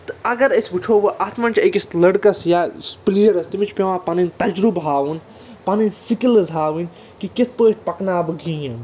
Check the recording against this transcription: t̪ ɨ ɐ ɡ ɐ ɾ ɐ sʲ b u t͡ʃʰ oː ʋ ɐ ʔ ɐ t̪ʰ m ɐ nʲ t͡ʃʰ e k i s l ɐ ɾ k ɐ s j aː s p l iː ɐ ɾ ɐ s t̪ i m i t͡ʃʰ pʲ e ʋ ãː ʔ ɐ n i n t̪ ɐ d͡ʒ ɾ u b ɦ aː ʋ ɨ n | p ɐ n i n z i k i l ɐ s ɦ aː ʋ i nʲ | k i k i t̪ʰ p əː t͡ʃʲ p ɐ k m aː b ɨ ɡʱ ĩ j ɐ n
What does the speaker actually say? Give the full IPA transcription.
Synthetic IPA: t̪ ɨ ɐ ɡ ɐ ɾ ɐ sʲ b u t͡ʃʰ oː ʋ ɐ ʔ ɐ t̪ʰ m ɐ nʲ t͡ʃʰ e k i s l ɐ ɽ k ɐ s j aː s p l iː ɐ ɾ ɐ s t̪ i m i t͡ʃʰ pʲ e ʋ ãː p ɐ n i n t̪ ɐ d͡ʒ ɾ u b ɦ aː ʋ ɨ n | p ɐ n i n s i k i l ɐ z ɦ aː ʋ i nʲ | k i k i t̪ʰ p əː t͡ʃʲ p ɐ k n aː b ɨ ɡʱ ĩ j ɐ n